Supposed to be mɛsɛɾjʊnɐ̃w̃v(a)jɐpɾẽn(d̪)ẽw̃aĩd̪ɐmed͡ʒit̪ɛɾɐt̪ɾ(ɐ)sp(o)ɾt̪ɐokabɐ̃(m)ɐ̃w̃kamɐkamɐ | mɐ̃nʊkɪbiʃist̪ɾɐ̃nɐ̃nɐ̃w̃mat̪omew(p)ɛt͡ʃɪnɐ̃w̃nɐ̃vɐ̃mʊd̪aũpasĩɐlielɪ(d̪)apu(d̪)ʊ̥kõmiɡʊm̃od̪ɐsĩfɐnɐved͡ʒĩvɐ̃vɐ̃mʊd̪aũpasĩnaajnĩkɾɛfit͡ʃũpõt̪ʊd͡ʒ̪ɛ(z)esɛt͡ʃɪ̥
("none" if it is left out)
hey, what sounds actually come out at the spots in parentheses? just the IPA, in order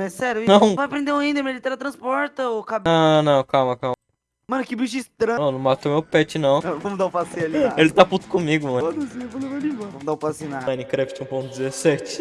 a, d̪, ɐ̃, ɔ, n, p, t̪, t̪, z

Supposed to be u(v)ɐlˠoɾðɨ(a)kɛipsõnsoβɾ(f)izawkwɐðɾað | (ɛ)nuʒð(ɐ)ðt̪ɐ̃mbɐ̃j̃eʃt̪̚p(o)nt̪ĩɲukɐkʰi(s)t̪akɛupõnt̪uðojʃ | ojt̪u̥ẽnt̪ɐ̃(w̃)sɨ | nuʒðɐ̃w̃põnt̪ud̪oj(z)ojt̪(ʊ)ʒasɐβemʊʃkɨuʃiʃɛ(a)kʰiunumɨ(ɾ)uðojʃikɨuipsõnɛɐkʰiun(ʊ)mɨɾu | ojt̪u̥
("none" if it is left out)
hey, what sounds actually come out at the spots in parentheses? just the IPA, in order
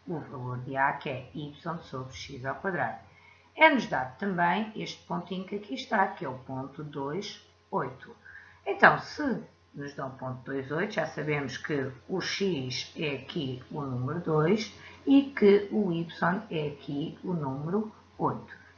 v, a, ʃ, ɛ, a, õ, ʃ, w̃, z, u, ɐ, ɾ, u

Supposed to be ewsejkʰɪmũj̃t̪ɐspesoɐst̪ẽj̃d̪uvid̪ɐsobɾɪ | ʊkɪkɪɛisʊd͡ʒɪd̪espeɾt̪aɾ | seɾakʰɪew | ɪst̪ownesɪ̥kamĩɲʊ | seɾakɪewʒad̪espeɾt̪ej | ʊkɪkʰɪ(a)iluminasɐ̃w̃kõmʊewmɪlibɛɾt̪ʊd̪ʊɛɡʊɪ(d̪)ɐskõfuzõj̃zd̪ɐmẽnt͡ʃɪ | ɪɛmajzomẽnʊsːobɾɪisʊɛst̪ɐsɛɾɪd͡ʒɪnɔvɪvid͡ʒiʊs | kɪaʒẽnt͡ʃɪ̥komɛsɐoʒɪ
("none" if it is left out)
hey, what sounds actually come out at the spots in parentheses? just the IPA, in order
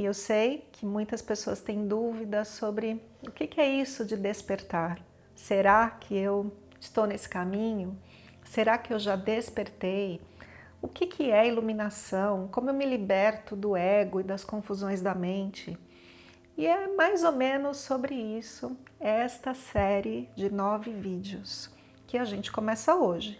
ɛ, d̪

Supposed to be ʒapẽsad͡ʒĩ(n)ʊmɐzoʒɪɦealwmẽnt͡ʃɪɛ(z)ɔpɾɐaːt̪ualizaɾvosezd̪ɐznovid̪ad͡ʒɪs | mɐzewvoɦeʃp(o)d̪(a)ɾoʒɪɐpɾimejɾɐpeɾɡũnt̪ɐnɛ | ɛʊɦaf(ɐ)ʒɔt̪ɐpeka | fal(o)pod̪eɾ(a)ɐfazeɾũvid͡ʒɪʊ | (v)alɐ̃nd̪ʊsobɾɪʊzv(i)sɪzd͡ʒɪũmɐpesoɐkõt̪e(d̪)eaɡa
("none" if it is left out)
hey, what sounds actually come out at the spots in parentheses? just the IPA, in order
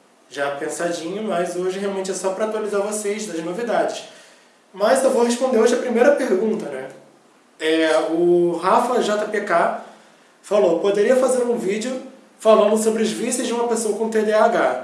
ɲ, s, õ, e, ɐ, o, i, f, i, d̪

